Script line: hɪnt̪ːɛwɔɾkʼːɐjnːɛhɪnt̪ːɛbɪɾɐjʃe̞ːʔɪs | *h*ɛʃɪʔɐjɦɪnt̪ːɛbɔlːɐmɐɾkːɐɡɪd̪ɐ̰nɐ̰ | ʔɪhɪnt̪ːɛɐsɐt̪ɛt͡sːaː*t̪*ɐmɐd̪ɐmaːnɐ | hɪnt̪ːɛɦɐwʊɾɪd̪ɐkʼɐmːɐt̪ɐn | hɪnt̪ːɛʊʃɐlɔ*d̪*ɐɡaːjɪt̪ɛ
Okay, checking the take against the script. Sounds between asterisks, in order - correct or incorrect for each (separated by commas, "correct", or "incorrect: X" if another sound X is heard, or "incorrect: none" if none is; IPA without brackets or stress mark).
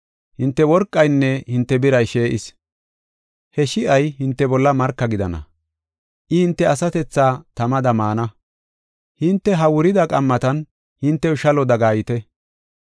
correct, correct, correct